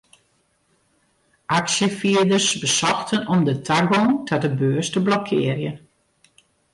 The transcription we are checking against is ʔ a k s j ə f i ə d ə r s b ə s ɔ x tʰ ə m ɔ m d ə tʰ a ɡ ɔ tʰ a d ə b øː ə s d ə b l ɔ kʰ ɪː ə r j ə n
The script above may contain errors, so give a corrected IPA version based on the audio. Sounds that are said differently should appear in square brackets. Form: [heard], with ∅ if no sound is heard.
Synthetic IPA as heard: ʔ a k s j ə f i ə d ə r s b ə s ɔ x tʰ ə [n] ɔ m d ə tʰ a ɡ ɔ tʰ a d ə b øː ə s [t] ə b l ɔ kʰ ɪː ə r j ə n